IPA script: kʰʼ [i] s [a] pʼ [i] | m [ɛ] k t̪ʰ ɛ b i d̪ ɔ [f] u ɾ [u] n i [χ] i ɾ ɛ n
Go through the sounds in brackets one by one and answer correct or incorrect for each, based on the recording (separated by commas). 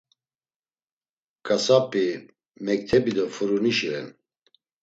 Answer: incorrect, correct, correct, correct, correct, correct, incorrect